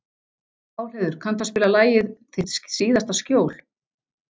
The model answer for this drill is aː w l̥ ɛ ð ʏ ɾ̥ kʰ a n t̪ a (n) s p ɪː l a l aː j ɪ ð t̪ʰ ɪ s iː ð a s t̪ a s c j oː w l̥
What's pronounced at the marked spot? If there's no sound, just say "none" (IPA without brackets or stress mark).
none